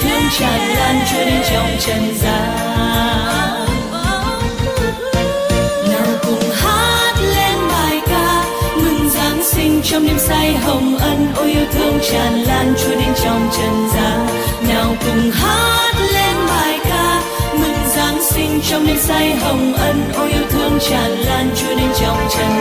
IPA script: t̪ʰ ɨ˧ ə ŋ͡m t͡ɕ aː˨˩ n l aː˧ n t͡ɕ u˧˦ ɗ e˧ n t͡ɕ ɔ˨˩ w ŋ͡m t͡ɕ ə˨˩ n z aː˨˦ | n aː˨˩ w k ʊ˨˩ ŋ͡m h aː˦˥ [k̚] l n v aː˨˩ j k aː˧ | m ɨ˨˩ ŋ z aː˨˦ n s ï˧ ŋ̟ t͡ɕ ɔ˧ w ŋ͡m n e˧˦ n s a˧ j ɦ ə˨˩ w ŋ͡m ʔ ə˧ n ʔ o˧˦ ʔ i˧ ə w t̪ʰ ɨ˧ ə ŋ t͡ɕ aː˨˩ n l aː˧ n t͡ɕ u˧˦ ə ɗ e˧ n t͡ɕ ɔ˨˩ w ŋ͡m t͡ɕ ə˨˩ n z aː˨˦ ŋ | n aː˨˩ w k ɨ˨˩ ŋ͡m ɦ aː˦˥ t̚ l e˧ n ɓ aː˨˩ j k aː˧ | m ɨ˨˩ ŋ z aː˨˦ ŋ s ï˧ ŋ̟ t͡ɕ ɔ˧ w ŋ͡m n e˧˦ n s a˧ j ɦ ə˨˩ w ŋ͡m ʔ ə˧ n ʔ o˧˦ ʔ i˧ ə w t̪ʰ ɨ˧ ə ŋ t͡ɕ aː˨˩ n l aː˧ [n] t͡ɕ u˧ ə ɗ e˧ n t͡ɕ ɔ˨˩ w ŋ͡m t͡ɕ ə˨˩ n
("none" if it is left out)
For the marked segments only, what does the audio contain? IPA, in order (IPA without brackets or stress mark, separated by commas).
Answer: t̚, n